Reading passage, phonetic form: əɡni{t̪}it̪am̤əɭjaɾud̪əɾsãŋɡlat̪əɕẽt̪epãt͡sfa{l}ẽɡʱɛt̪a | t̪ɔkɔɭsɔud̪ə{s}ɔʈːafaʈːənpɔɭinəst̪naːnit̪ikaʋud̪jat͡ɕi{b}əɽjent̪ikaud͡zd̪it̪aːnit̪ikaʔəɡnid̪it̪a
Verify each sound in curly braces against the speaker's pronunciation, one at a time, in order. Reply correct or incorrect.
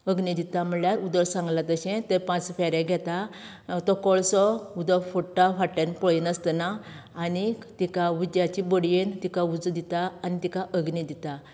incorrect: d̪, incorrect: ɾ, incorrect: f, correct

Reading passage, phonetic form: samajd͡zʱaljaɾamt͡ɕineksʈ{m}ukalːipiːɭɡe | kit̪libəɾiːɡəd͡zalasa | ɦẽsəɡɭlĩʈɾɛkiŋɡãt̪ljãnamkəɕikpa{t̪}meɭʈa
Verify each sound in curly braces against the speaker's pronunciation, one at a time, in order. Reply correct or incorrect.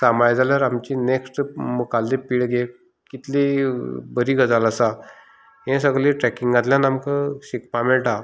correct, incorrect: none

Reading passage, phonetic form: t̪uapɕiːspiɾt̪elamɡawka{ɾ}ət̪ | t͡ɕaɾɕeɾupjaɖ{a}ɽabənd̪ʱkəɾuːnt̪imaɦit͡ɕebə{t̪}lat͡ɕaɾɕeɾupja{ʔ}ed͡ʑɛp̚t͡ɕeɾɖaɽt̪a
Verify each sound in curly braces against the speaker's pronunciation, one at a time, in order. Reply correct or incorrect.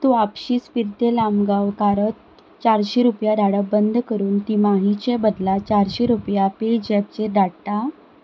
correct, correct, incorrect: d̪, incorrect: p

